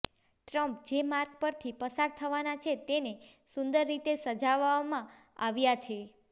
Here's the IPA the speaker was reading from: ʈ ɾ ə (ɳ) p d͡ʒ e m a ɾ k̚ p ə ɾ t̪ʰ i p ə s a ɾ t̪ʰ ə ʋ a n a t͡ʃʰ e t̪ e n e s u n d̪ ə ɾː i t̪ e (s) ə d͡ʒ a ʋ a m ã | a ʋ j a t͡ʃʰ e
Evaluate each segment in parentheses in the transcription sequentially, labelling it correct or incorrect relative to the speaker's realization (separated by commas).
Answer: incorrect, correct